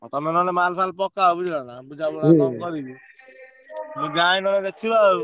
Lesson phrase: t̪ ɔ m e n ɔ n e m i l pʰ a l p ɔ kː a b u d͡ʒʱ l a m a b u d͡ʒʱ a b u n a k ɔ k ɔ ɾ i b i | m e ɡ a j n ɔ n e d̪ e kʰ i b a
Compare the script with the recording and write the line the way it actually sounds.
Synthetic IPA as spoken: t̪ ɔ m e n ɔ n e m a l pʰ a l p ɔ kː a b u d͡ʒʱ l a n a b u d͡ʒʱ a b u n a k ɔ k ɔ ɾ i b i | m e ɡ a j n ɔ n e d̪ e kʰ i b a